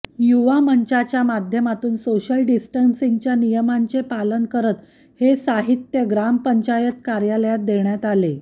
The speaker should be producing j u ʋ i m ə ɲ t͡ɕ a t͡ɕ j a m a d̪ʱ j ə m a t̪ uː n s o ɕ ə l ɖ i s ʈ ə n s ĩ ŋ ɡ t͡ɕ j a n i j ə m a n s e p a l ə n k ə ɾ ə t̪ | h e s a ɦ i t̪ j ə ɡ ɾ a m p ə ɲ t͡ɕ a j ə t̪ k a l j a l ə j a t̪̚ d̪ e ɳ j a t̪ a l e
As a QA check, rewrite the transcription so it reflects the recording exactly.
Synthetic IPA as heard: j u ʋ a m ə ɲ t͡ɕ a t͡ɕ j a m a d̪ʱ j ə m a t̪ uː n s o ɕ ə l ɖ i s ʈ ə n s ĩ ŋ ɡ t͡ɕ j a n i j ə m a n t͡s e p a l ə n k ə ɾ ə t̪ | h e s a ɦ i t̪ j ə ɡ ɾ a m p ə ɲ t͡ɕ a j ə t̪ k a ɾ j a l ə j a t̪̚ d̪ e ɳ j a t̪ a l e